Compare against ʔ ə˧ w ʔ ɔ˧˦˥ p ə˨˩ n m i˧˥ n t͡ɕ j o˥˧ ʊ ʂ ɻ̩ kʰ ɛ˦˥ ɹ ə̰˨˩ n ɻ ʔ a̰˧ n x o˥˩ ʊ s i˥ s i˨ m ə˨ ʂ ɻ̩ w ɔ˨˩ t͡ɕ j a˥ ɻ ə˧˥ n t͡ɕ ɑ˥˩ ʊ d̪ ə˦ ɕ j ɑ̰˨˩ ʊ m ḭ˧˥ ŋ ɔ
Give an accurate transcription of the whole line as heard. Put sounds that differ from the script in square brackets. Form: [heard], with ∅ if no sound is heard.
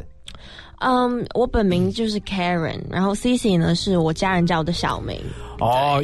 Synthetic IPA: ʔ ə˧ w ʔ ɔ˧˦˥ p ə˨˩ n m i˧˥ [ŋ] t͡ɕ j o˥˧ ʊ ʂ ɻ̩ kʰ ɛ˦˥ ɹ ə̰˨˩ n ɻ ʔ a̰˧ n x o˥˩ ʊ s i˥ s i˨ [n] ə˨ ʂ ɻ̩ w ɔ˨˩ t͡ɕ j a˥ ɻ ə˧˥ n t͡ɕ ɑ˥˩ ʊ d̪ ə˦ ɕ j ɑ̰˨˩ ʊ m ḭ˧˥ ŋ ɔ